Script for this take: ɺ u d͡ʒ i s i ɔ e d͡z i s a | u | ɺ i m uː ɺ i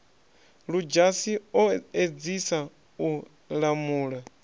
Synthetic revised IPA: ɺ u d͡ʒ a s i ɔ e d͡z i s a | u | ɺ a m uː ɺ a